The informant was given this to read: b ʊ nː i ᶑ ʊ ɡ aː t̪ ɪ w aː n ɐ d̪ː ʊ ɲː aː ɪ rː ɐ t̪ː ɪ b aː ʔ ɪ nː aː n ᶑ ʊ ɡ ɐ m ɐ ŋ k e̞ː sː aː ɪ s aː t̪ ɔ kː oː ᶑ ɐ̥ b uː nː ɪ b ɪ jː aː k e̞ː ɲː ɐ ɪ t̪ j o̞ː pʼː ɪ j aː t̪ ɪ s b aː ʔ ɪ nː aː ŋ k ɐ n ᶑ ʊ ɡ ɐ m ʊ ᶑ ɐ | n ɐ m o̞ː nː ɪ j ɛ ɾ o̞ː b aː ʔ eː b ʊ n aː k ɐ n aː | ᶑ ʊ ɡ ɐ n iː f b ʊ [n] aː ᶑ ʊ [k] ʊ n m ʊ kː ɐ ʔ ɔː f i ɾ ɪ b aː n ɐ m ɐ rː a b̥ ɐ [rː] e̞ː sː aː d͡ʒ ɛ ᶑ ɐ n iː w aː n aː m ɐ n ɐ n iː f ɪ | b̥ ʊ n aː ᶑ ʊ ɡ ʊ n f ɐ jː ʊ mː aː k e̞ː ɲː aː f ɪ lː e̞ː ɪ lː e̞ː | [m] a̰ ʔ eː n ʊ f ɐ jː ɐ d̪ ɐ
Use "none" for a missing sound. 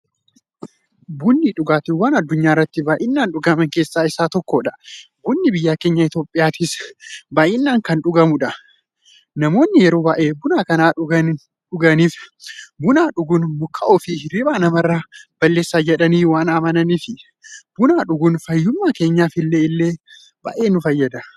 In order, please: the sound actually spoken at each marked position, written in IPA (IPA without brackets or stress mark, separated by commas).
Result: n, ɡ, lː, b